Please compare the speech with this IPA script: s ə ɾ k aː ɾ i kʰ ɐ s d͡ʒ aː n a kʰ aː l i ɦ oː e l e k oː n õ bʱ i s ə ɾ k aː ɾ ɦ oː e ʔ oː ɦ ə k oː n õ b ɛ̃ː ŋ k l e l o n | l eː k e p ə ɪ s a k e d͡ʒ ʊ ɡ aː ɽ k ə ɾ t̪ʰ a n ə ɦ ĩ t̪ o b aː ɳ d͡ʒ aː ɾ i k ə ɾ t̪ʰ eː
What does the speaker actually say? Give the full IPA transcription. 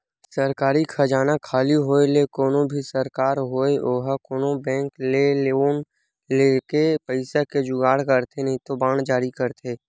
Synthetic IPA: s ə ɾ k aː ɾ i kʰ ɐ d͡ʒ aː n a kʰ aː l i ɦ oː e l e k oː n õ bʱ i s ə ɾ k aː ɾ ɦ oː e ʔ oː ɦ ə k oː n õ b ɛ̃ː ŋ k l e l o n | l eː k e p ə ɪ s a k e d͡ʒ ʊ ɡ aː ɽ k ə ɾ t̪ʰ e n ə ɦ ĩ t̪ o b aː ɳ d͡ʒ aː ɾ i k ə ɾ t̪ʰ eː